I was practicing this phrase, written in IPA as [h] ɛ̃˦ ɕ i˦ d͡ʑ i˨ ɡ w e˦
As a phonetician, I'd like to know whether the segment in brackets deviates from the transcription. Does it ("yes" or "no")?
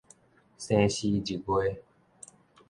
yes